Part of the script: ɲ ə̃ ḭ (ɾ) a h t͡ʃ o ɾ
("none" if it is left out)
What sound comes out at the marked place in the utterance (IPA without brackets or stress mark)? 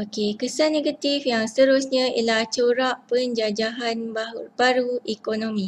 l